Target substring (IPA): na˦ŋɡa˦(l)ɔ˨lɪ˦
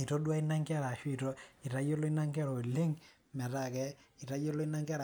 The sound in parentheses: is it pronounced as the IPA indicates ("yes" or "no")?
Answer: no